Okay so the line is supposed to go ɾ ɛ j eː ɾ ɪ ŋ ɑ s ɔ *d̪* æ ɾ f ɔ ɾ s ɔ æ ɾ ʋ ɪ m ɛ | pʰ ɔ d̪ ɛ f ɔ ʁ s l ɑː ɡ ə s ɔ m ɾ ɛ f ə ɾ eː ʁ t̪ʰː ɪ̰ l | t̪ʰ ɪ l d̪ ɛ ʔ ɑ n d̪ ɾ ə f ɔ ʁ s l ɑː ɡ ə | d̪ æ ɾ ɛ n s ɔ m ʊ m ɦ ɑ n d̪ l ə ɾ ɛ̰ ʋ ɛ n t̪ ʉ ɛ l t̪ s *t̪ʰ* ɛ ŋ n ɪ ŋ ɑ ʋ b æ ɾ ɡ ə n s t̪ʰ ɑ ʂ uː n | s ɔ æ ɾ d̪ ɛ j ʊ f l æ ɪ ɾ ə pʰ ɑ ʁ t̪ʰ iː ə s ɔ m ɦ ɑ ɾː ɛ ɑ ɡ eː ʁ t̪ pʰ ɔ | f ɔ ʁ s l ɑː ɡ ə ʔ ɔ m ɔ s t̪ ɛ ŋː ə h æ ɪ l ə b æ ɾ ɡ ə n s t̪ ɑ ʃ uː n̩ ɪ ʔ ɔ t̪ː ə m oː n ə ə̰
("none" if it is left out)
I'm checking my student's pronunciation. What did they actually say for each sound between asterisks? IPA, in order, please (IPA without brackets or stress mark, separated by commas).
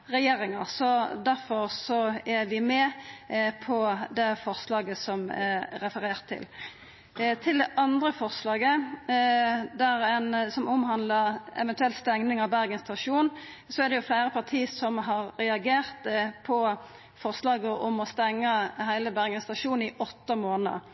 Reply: d̪, t̪